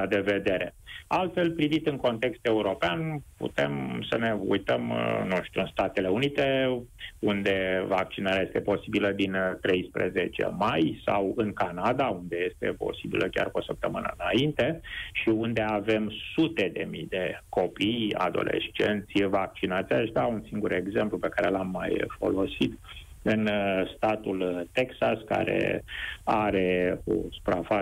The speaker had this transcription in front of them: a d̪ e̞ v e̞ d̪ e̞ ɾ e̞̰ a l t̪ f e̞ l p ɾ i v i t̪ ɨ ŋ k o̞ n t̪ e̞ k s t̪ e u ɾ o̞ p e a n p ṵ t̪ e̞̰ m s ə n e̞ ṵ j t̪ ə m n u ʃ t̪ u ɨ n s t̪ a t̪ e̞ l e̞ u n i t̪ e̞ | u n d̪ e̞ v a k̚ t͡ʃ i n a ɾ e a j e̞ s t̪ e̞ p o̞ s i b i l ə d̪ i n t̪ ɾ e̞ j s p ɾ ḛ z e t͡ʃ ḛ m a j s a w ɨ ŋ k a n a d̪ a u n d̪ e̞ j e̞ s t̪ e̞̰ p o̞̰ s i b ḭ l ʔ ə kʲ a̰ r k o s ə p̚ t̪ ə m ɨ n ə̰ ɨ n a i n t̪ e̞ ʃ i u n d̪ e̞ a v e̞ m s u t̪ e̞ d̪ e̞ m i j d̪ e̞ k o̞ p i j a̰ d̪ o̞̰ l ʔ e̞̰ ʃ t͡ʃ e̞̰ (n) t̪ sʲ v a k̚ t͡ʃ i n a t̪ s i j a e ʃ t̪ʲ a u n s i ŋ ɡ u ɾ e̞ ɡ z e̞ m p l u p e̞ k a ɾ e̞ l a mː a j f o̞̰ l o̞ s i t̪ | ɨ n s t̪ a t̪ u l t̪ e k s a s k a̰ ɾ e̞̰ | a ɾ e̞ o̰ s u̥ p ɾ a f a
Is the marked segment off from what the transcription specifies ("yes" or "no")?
no